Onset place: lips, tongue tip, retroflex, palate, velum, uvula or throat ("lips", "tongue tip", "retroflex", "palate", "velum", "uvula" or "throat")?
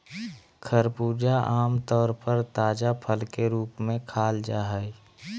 velum